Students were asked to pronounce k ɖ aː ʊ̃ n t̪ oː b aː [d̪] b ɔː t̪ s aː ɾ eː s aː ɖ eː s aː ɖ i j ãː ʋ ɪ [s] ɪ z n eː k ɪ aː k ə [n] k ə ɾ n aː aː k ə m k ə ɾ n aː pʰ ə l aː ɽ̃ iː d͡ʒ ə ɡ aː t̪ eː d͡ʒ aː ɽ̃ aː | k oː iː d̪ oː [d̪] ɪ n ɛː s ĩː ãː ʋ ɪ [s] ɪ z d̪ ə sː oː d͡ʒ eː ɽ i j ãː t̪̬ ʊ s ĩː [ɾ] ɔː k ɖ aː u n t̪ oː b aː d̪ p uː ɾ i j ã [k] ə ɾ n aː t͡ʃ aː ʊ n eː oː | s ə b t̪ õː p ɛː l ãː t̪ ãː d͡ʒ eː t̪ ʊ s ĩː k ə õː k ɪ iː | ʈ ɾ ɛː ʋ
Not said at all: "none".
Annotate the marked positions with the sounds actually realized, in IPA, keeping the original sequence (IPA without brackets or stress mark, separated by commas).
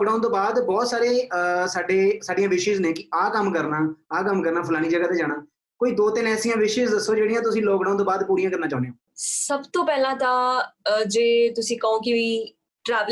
d̪, ʃ, m, t̪, ʃ, l, k